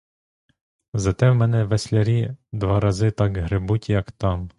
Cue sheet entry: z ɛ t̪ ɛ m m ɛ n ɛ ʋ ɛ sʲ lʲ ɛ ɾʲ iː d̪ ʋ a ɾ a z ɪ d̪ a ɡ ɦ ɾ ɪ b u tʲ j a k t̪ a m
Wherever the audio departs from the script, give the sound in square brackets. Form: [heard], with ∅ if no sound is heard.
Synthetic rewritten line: z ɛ t̪ ɛ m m ɛ n ɛ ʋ ɛ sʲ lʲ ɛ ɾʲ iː d̪ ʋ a ɾ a z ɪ [t̪] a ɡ ɦ ɾ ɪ b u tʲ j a k t̪ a m